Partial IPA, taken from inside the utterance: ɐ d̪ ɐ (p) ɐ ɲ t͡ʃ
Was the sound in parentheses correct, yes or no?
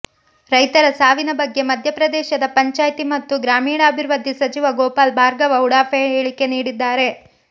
yes